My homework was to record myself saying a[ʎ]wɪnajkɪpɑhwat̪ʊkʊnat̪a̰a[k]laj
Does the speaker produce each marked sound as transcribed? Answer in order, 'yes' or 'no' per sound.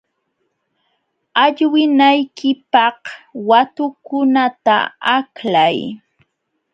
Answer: yes, yes

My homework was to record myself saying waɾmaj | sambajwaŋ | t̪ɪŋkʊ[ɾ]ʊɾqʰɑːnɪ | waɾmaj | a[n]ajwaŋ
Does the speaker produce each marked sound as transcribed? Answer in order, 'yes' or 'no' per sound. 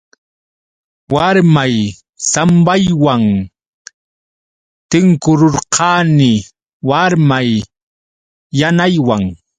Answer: yes, yes

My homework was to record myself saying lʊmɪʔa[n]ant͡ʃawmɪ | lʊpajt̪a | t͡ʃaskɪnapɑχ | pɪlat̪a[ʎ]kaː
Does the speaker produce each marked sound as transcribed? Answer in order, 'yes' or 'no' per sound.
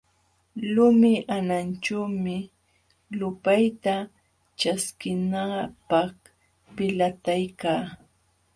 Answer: yes, no

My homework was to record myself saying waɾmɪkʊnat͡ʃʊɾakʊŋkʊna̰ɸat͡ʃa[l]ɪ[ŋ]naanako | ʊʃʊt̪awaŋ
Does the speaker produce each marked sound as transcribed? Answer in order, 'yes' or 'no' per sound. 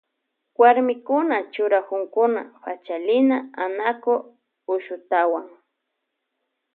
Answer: yes, no

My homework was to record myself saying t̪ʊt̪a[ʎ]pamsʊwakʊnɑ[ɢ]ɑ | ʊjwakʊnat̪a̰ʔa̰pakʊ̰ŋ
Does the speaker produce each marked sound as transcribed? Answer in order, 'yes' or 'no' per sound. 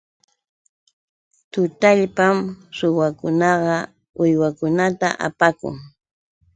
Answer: yes, yes

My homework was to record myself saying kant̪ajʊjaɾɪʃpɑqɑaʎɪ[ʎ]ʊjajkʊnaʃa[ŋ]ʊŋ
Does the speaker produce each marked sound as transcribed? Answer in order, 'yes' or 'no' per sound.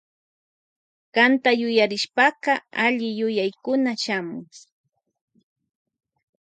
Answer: no, no

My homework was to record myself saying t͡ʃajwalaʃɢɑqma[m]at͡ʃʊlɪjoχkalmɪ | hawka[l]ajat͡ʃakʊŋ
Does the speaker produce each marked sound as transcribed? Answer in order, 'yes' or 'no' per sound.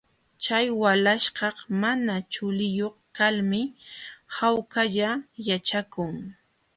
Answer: no, no

